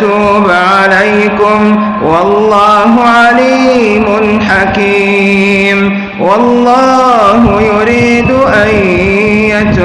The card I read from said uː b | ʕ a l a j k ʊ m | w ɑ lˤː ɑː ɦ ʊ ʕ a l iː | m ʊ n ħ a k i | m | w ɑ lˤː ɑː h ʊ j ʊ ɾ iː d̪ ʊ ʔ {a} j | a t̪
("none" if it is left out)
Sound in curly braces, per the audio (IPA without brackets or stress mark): a